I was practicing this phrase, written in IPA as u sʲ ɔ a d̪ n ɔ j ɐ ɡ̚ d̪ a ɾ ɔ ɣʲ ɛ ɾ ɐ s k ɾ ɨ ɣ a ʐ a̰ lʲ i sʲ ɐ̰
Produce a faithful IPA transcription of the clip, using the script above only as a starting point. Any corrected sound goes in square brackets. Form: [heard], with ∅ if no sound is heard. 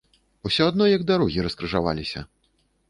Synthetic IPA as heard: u sʲ ɔ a d̪ n ɔ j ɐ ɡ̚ d̪ a ɾ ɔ ɣʲ [i] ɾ ɐ s k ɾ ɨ [ʐ] a [v] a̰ lʲ i sʲ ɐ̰